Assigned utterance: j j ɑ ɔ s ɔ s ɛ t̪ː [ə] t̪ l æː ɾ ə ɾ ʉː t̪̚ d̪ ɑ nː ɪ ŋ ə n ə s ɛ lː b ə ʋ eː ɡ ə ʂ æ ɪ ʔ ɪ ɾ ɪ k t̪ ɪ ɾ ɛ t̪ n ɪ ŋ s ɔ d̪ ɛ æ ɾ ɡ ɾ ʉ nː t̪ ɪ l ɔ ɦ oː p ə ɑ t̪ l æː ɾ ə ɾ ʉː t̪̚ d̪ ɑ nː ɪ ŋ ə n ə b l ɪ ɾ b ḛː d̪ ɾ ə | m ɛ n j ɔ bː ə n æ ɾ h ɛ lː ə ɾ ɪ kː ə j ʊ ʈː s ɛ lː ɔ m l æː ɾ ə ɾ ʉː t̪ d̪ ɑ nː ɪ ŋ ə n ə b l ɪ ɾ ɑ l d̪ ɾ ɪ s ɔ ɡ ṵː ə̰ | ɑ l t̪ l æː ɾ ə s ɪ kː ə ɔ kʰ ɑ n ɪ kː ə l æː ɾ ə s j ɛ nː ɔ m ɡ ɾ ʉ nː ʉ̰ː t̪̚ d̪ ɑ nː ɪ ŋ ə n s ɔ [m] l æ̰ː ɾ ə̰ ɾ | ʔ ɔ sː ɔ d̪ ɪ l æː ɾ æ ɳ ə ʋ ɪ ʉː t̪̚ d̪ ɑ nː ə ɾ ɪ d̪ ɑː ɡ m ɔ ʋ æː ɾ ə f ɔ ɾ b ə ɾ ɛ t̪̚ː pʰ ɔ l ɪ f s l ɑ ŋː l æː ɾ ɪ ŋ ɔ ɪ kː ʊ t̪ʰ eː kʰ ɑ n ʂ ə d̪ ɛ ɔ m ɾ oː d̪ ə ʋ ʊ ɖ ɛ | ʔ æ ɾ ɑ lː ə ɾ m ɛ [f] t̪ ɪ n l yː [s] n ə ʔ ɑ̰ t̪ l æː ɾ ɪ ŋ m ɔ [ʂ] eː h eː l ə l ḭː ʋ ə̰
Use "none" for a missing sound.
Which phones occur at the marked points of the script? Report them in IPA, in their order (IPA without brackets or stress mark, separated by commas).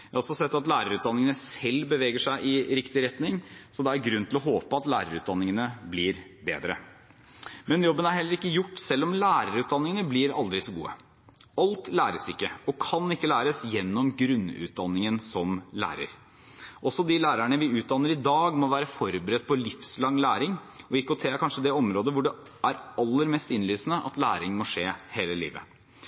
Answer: ɑ, m, s, s, ʂ